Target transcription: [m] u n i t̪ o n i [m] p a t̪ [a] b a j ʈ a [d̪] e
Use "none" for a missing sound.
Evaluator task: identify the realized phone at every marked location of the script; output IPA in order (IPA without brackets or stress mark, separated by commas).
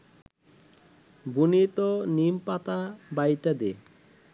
b, m, a, d̪